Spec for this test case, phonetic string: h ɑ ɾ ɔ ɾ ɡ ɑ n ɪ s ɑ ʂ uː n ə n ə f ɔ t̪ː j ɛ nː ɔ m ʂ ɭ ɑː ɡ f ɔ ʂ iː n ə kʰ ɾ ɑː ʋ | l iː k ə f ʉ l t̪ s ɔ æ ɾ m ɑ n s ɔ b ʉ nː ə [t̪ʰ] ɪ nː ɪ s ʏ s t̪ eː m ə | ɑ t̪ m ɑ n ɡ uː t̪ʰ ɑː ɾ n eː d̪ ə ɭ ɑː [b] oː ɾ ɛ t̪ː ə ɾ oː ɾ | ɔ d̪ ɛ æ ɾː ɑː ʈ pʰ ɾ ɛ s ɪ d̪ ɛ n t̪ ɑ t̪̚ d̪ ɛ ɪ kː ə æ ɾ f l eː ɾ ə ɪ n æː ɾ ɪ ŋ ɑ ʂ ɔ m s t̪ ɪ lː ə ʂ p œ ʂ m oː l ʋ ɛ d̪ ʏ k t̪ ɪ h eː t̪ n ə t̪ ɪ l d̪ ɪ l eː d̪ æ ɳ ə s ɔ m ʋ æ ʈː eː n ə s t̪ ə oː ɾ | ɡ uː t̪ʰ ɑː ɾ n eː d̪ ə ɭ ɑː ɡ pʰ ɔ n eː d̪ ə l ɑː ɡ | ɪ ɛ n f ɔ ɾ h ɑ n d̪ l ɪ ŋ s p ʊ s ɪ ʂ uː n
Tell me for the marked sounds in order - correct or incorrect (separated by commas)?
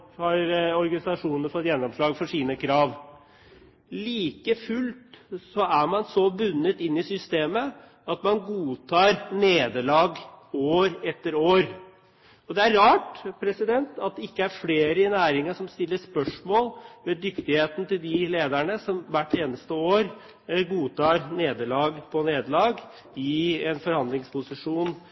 incorrect, incorrect